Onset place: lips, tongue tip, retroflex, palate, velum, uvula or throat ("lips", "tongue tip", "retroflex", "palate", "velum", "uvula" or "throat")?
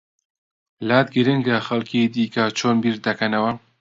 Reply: tongue tip